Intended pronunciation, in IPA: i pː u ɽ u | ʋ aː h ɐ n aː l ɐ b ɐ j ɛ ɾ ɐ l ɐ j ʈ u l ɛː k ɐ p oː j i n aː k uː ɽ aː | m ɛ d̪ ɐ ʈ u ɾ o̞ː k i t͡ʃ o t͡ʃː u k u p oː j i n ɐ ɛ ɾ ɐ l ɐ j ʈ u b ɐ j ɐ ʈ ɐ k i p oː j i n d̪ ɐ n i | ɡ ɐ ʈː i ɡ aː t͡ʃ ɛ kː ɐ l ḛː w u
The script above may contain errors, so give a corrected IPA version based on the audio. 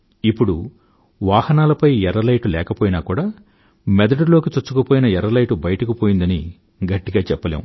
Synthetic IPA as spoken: i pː u ɽ u | ʋ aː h ɐ n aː l ɐ p ɐ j ɛ ɾ ɐ l ɐ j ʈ u l ɛː k ɐ p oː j i n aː k uː ɽ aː | m ɛ d̪ ɐ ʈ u l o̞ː k i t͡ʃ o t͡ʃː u k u p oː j i n ɐ ɛ ɾ ɐ l ɐ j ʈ u b ɐ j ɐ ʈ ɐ k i p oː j i n d̪ ɐ n i | ɡ ɐ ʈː i ɡ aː t͡ʃ ɛ pː ɐ l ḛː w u